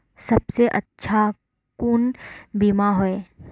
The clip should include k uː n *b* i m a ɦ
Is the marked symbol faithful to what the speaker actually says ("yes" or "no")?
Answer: yes